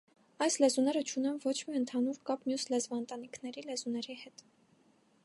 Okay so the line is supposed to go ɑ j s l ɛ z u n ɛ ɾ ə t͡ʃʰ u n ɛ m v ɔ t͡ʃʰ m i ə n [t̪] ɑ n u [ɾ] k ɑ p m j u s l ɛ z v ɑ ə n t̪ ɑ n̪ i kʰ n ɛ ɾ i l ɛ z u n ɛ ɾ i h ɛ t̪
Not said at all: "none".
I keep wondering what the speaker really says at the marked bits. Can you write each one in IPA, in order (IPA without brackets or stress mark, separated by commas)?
t̪ʰ, ɾ